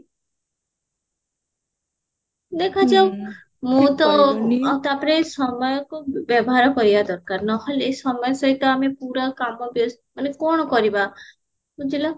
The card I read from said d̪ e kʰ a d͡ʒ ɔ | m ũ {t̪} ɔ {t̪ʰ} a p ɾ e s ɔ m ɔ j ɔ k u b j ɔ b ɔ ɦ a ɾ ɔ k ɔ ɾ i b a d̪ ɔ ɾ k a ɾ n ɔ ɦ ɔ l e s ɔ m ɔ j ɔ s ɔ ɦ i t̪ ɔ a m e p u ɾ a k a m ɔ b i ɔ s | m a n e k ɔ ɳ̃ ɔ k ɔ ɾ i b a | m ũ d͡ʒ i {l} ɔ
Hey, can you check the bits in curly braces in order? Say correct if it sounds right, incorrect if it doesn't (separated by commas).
correct, incorrect, correct